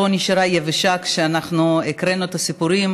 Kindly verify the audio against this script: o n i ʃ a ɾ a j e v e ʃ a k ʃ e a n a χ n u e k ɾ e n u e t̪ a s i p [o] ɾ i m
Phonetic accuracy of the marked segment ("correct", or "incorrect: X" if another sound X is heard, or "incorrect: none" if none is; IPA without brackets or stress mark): incorrect: u